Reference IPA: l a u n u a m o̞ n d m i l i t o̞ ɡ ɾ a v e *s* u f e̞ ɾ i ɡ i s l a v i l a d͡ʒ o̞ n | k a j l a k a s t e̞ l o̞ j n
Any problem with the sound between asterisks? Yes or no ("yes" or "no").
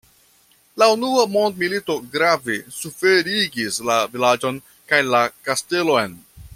no